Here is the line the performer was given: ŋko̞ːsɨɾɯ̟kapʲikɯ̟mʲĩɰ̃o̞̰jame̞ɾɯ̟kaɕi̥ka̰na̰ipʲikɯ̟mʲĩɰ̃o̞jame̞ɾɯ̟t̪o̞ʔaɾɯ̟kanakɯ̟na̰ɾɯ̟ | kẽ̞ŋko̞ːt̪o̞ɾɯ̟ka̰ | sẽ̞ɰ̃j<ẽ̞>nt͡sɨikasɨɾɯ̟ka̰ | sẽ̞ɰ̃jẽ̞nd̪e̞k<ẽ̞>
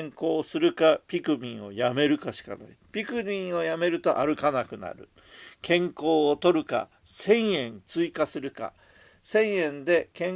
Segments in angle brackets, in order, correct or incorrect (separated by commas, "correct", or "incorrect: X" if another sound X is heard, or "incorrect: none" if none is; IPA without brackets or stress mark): correct, correct